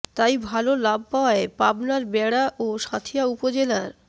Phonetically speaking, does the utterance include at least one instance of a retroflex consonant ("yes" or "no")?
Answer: yes